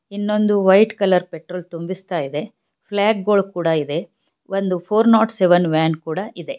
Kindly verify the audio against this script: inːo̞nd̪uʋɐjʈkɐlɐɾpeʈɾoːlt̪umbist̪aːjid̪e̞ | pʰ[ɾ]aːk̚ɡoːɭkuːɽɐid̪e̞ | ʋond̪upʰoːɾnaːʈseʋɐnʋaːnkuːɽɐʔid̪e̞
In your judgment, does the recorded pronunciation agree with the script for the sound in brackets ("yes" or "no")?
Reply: no